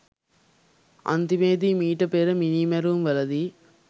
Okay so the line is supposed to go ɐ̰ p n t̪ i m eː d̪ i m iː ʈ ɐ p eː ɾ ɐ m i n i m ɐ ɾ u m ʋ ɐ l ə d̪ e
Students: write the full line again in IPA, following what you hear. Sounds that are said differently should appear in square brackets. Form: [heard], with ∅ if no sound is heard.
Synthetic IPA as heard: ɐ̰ [∅] n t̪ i m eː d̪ i m iː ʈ ɐ p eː ɾ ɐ m i n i m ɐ ɾ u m ʋ ɐ l [ɐ] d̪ [i]

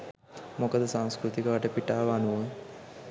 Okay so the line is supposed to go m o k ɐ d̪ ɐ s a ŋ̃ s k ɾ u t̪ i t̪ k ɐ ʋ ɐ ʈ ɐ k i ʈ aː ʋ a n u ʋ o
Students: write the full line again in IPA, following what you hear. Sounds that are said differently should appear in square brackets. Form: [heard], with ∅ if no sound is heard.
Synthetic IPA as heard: m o k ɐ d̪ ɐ s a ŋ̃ s k ɾ u t̪ i [∅] k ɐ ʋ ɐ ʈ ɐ [p] i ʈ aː ʋ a n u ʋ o

